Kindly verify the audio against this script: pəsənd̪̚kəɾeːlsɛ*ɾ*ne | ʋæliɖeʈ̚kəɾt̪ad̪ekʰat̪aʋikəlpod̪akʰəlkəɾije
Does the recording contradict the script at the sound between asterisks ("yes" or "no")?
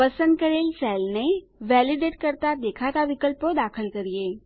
yes